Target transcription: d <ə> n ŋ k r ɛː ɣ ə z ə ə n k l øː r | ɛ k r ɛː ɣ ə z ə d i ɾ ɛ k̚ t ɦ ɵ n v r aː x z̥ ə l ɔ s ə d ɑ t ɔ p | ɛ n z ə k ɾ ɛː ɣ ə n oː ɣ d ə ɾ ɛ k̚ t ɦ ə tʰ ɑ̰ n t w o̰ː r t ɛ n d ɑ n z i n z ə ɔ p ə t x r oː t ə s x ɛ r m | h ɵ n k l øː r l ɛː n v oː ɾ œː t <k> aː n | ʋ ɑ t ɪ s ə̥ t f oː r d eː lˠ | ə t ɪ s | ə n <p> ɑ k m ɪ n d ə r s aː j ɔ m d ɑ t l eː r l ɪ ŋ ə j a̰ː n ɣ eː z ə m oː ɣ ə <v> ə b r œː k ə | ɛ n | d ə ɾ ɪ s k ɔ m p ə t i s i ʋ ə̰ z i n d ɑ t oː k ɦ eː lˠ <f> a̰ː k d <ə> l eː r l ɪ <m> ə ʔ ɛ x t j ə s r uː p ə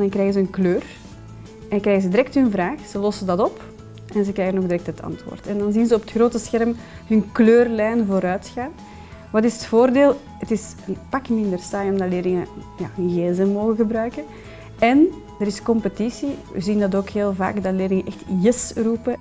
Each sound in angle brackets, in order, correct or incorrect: incorrect: ɑ, incorrect: x, correct, incorrect: ɣ, incorrect: v, incorrect: ɑ, incorrect: ŋ

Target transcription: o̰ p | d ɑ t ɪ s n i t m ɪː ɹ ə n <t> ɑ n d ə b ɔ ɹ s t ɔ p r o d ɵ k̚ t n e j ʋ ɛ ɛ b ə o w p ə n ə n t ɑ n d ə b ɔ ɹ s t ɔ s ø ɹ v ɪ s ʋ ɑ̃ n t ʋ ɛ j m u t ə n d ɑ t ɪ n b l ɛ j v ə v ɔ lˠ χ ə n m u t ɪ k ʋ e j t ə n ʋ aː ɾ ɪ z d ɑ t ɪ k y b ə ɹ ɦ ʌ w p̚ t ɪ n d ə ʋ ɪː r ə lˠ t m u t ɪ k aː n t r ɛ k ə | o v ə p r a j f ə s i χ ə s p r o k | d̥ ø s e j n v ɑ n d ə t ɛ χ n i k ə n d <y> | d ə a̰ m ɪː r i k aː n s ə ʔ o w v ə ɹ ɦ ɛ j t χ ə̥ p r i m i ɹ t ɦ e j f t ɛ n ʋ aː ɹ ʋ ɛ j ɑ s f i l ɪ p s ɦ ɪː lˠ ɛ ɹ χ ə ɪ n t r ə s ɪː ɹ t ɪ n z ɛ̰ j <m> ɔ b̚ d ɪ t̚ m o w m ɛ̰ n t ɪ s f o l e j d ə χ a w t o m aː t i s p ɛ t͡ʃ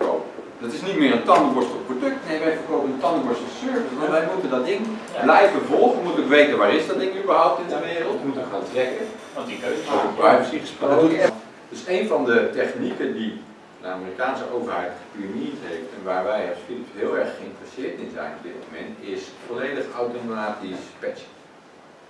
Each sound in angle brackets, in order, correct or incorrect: correct, incorrect: i, incorrect: n

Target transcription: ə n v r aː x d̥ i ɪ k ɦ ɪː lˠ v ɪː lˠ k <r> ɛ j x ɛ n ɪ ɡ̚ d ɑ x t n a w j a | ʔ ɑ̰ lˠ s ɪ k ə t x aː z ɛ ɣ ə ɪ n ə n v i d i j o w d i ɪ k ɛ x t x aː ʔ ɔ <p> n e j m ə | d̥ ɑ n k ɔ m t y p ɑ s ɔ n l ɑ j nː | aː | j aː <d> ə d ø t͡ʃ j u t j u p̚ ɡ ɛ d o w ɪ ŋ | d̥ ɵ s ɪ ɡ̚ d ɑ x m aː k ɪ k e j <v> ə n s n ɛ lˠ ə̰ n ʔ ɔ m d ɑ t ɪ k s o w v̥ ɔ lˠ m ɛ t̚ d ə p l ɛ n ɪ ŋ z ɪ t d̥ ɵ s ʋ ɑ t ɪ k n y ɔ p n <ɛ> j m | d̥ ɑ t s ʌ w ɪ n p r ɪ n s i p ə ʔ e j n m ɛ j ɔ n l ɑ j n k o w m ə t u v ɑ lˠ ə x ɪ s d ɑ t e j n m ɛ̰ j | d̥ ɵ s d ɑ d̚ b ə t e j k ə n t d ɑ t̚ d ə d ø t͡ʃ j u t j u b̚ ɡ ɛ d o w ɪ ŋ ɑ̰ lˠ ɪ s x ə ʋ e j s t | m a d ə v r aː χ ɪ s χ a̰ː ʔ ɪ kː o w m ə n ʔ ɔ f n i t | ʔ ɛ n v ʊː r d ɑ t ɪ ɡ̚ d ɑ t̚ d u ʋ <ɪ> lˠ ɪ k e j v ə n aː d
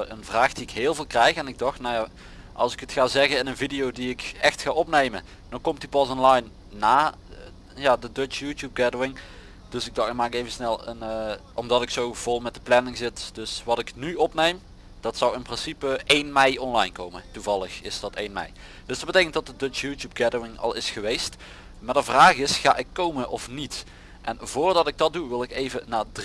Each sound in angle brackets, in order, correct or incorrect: correct, correct, correct, correct, incorrect: e, correct

